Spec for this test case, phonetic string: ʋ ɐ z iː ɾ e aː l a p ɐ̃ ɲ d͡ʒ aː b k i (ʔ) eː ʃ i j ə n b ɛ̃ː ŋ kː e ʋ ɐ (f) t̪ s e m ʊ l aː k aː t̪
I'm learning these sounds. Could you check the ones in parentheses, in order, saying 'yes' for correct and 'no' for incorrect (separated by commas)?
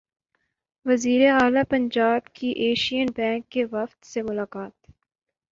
yes, yes